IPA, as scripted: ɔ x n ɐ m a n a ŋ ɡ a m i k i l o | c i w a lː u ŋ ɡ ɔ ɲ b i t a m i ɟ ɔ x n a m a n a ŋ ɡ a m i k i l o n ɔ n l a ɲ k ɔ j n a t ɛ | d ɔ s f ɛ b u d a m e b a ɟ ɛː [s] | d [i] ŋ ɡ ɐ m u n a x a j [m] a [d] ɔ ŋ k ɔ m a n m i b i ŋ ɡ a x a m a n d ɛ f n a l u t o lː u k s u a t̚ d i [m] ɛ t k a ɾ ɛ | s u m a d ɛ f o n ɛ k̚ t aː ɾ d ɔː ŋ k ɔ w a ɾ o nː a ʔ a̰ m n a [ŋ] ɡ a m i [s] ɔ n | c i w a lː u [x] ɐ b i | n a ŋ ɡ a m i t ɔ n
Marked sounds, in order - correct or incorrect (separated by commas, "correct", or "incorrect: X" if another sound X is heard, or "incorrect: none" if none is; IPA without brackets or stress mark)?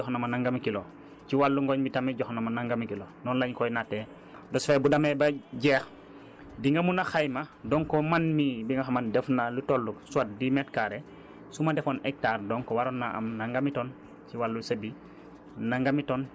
incorrect: x, correct, correct, correct, correct, correct, incorrect: t, incorrect: s